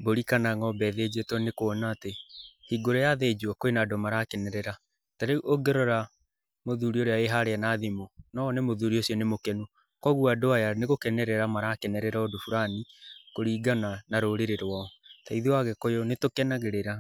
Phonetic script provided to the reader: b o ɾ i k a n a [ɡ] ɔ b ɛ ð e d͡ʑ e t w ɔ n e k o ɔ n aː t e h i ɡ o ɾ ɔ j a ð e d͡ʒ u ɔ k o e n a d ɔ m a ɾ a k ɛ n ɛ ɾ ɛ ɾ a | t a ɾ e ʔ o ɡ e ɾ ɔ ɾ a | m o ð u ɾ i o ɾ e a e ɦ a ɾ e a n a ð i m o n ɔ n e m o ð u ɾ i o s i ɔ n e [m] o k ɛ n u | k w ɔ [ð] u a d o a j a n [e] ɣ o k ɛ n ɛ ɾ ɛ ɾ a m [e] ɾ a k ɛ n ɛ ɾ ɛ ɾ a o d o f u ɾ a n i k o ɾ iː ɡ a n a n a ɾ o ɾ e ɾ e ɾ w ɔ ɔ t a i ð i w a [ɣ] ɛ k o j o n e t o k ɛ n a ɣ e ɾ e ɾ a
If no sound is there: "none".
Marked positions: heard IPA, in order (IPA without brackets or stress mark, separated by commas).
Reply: ŋ, m, ɣ, e, a, ɣ